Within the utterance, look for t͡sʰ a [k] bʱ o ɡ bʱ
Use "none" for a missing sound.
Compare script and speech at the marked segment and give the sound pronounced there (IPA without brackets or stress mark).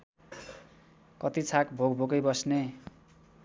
k